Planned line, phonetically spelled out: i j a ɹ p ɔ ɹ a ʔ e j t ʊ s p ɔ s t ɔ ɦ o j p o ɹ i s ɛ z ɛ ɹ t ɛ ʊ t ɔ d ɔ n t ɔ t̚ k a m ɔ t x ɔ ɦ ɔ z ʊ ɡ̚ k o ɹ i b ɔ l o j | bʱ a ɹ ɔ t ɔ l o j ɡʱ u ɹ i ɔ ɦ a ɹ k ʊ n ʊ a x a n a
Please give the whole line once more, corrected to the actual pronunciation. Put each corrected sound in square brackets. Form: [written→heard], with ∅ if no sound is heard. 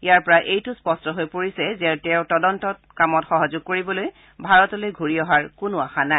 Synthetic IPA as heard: i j a ɹ p ɔ ɹ a ʔ e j t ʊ s p ɔ s t ɔ ɦ o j p o ɹ i s ɛ z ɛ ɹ t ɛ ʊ t ɔ d ɔ n t ɔ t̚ k a m ɔ t x ɔ ɦ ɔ z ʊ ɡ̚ k o ɹ i b ɔ l o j | bʱ a ɹ ɔ t ɔ l o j ɡʱ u ɹ i ɔ ɦ a ɹ k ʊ n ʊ a x a n a